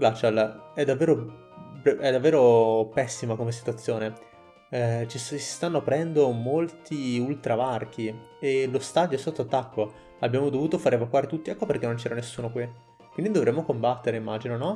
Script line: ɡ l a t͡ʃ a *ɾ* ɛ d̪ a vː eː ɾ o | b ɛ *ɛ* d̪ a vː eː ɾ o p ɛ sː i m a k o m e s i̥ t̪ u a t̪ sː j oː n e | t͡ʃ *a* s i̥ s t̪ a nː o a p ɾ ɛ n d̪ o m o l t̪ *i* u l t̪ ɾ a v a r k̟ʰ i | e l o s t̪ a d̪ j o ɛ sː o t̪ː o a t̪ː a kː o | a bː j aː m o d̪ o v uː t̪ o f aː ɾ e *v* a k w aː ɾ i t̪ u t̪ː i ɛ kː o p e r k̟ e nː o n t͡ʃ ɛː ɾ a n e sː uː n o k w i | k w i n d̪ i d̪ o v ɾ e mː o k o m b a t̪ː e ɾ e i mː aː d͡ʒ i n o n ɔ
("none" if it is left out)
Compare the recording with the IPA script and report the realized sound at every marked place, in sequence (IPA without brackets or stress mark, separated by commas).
l, ɛ, i, i, v